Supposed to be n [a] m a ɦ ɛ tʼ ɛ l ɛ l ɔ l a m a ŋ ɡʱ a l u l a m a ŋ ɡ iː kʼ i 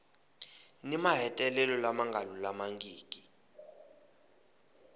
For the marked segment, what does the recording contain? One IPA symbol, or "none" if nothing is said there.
i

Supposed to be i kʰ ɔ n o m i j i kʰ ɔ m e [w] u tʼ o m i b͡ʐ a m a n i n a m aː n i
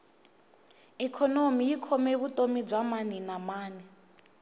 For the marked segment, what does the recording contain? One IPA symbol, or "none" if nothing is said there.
β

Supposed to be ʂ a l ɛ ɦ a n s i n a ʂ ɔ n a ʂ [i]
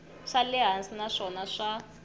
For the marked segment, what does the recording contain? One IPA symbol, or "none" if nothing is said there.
a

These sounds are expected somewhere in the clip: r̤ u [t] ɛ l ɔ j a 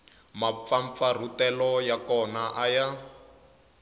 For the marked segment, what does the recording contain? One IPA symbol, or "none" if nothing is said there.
t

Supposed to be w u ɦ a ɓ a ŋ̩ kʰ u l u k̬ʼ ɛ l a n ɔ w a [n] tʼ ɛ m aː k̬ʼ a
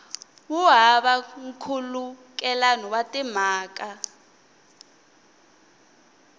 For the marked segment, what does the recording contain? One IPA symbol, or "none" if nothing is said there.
none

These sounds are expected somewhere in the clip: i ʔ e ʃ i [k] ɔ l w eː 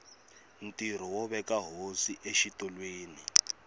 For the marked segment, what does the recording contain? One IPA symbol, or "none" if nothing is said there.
t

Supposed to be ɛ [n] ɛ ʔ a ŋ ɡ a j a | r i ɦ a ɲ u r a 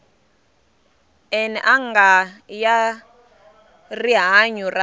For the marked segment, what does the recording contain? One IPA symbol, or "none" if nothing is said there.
n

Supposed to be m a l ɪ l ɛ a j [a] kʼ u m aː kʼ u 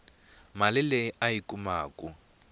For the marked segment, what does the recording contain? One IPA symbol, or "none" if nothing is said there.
i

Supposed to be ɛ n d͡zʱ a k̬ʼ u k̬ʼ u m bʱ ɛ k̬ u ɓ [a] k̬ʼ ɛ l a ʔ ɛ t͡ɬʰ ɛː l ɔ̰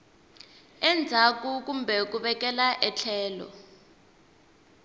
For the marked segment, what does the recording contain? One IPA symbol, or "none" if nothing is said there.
ɛ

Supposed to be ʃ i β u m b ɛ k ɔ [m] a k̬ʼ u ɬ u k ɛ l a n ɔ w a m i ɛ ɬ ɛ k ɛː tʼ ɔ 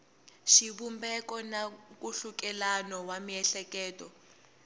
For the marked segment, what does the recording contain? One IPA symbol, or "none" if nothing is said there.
n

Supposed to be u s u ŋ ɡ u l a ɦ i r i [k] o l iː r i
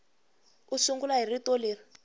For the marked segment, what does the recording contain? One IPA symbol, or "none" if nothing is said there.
t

